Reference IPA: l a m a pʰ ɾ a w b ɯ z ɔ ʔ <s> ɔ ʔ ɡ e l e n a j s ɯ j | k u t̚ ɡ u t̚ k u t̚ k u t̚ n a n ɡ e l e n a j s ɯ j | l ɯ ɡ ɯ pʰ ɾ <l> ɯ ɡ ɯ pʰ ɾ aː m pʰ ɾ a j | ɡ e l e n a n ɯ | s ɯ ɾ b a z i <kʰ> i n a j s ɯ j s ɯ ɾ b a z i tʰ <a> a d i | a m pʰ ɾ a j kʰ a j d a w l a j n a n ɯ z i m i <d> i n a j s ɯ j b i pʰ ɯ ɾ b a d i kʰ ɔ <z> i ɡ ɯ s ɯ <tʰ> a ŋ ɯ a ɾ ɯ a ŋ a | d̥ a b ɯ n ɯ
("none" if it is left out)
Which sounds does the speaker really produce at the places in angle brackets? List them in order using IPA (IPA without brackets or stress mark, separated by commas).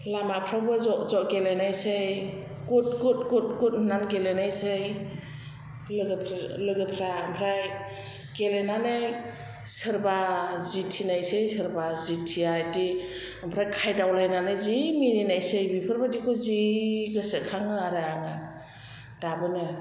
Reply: z, l, tʰ, i, n, z, kʰ